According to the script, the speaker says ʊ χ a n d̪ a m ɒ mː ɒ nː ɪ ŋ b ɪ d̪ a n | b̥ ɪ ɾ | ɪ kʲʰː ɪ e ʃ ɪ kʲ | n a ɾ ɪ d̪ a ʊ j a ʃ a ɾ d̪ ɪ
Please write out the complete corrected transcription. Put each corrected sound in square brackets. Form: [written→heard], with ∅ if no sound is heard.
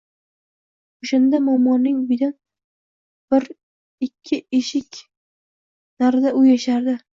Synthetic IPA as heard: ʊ [χ→ʃ] a n d̪ a m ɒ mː ɒ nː ɪ ŋ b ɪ d̪ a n | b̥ ɪ ɾ | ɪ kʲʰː ɪ e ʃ ɪ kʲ | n a ɾ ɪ d̪ a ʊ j a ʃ a ɾ d̪ ɪ

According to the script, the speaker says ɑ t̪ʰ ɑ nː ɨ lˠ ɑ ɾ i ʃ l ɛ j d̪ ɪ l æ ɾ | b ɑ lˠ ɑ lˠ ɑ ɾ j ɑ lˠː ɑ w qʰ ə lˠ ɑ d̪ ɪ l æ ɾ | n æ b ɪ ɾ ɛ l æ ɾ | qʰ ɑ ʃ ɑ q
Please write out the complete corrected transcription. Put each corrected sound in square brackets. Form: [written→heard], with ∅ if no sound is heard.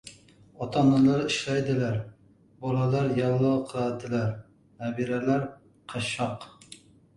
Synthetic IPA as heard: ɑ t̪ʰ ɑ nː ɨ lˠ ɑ ɾ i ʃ l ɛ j d̪ ɪ l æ ɾ | b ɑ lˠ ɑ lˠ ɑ ɾ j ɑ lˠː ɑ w qʰ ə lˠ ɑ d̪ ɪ l æ ɾ | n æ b [ɪ→i] ɾ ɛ l æ ɾ | qʰ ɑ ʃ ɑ q

